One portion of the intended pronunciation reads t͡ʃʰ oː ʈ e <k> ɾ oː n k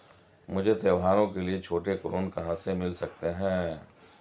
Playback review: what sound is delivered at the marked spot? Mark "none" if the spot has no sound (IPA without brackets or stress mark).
k